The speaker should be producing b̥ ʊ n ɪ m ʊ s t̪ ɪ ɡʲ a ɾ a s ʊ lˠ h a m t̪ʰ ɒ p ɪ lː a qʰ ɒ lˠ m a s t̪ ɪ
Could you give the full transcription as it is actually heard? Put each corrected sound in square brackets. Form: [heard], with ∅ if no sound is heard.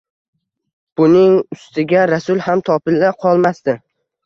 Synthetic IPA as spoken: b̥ ʊ n ɪ [ŋ] ʊ s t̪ ɪ ɡʲ a ɾ a s ʊ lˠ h a m t̪ʰ ɒ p ɪ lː a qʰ ɒ lˠ m a s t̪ ɪ